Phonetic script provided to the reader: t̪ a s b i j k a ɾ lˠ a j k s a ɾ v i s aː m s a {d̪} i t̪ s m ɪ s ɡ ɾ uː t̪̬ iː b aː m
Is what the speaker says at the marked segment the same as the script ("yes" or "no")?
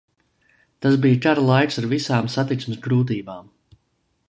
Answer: no